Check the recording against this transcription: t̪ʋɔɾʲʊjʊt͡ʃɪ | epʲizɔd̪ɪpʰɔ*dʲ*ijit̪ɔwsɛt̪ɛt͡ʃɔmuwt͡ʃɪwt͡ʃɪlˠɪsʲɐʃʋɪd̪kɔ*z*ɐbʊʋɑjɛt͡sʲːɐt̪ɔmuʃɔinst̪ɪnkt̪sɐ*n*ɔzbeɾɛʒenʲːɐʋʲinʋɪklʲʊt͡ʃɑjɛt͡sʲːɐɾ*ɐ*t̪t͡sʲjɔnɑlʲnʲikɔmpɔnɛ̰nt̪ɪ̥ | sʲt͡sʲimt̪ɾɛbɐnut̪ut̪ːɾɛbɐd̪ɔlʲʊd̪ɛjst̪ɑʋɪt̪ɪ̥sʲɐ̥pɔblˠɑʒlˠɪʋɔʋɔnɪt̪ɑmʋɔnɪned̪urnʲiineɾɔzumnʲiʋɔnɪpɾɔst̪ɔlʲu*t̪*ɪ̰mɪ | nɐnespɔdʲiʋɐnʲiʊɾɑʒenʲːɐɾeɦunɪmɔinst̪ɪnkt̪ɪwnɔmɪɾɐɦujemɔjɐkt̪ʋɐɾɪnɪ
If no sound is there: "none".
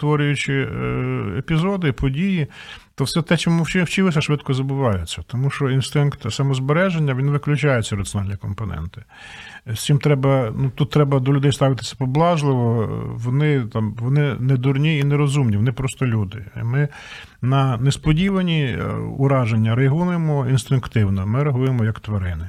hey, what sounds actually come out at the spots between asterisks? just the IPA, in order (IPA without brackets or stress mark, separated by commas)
dʲ, z, m, ɐ, d̪